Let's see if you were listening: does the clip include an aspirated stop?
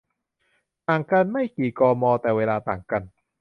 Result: no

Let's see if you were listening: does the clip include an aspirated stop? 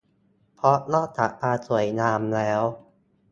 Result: yes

